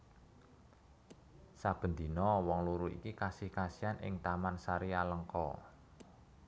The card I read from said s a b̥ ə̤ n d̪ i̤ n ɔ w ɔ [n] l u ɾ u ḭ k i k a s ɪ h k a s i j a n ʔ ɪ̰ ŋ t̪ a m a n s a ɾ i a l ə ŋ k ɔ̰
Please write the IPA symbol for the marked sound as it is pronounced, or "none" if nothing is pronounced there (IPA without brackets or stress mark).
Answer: ŋ